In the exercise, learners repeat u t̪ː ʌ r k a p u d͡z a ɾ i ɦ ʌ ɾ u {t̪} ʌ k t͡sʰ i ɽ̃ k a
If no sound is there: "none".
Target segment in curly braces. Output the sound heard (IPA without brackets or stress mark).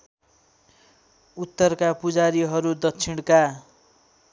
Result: d̪